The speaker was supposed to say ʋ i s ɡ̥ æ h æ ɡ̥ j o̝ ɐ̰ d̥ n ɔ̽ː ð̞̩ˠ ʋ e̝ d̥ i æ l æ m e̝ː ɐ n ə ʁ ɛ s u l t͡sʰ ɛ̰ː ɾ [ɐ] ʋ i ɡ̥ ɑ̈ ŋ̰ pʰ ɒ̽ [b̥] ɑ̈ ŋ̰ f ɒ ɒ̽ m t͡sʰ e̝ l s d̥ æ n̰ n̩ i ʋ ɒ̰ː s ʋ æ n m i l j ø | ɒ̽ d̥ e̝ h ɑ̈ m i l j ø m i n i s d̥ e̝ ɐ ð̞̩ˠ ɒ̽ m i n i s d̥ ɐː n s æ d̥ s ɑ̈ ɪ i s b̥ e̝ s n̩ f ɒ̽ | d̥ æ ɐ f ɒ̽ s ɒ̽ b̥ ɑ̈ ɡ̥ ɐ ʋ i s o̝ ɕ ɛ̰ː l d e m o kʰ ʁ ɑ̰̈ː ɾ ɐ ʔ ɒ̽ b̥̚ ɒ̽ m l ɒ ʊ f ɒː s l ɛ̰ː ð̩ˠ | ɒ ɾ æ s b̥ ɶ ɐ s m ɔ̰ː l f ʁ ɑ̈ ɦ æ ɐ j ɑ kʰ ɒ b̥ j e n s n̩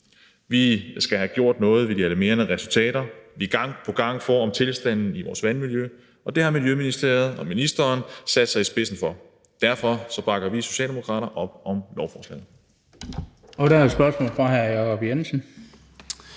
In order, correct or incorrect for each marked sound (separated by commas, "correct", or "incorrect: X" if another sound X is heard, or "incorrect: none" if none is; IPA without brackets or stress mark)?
correct, incorrect: ɡ̥